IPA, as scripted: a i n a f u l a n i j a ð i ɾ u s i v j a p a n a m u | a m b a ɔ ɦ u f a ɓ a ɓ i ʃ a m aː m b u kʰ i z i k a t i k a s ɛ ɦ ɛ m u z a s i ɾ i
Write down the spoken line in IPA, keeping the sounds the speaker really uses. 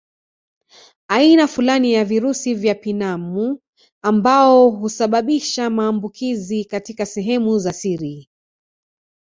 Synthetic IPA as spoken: a i n a f u l a n i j a v i ɾ u s i v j a p i n a m u | a m b a ɔ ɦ u s a ɓ a ɓ i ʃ a m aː m b u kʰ i z i k a t i k a s ɛ ɦ ɛ m u z a s i ɾ i

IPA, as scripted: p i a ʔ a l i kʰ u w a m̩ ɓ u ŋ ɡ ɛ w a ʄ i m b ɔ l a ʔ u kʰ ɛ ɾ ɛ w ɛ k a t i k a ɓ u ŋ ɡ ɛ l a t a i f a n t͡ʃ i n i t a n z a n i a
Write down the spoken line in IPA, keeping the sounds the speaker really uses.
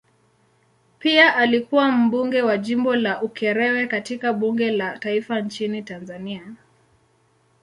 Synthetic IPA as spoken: p i a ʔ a l i k u w a m̩ ɓ u ŋ ɡ ɛ w a ʄ i m b ɔ l a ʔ u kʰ ɛ ɾ ɛ w ɛ k a t i k a ɓ u ŋ ɡ ɛ l a t a i f a n t͡ʃ i n i t a n z a n i a

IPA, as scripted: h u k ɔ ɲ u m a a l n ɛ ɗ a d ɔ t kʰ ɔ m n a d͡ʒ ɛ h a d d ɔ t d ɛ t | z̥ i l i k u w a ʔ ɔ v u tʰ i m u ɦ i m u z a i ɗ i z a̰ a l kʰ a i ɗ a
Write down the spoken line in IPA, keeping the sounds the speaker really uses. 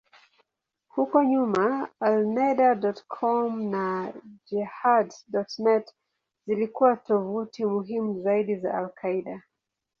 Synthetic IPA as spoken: h u k ɔ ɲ u m a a l n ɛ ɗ a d ɔ t kʰ ɔ m n a d͡ʒ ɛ h a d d ɔ t n ɛ t | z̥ i l i k u w a t ɔ v u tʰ i m u ɦ i m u z a i ɗ i z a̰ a l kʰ a i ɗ a

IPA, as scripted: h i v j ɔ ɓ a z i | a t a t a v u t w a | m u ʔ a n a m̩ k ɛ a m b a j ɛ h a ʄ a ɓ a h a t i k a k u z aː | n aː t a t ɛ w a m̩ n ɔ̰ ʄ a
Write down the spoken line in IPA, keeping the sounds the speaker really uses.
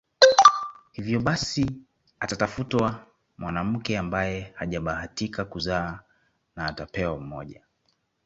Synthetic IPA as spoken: h i v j ɔ ɓ a s i | a t a t a f u t w a | m w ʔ a n a m̩ k ɛ a m b a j ɛ h a ʄ a ɓ a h a t i k a k u z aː | n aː t a p ɛ w a m̩ m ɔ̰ ʄ a

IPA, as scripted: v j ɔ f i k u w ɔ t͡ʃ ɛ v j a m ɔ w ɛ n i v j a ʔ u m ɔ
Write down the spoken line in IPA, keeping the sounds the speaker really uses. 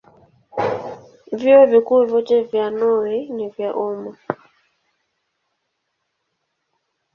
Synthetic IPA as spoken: v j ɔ v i k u v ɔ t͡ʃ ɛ v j a n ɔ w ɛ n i v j a ʔ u m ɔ

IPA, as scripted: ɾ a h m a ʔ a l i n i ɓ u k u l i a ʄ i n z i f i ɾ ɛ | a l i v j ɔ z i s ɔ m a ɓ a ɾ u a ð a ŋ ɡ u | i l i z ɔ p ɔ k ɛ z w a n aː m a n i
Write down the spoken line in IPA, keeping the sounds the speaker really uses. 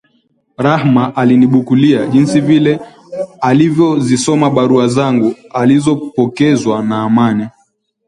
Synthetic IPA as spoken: ɾ a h m a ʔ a l i n i ɓ u k u l i a ʄ i n s i v i l ɛ | a l i v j ɔ z i s ɔ m a ɓ a ɾ u a z a ŋ ɡ u | a l i z ɔ p ɔ k ɛ z w a n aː m a n i

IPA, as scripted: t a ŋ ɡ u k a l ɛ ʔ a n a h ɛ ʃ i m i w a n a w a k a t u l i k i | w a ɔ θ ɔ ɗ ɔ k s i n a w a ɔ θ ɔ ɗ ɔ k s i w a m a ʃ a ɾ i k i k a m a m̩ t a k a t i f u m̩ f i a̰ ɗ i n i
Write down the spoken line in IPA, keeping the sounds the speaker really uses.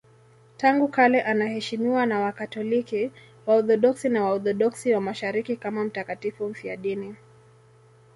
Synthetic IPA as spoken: t a ŋ ɡ u k a l ɛ ʔ a n a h ɛ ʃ i m i w a n a w a k a t ɔ l i k i | w a ɔ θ ɔ ɗ ɔ k s i n a w a ɔ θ ɔ ɗ ɔ k s i w a m a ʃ a ɾ i k i k a m a m̩ t a k a t i f u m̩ f i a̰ ɗ i n i

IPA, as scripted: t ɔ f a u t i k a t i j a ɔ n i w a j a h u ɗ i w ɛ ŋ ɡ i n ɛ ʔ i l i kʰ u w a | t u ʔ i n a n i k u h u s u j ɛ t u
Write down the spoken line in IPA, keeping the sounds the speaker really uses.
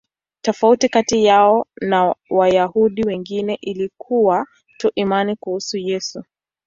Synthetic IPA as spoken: t ɔ f a u t i k a t i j a ɔ n a w a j a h u ɗ i w ɛ ŋ ɡ i n ɛ ʔ i l i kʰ u w a | t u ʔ i m a n i k u h u s u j ɛ s u

